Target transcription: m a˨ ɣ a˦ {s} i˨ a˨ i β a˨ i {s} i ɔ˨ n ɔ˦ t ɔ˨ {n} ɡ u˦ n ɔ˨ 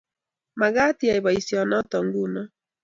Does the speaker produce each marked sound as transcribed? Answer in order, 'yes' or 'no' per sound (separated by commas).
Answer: no, yes, no